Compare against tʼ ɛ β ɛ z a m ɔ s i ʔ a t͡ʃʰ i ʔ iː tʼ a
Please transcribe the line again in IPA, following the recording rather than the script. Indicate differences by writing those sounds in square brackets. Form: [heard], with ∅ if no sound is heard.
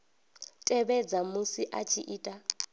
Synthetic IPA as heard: tʼ ɛ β ɛ [d͡z] a m [u] s i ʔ a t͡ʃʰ i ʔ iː tʼ a